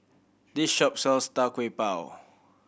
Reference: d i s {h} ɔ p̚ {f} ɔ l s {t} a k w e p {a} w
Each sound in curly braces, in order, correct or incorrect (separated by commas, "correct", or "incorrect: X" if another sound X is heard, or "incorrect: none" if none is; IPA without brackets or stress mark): incorrect: ʃ, incorrect: s, correct, correct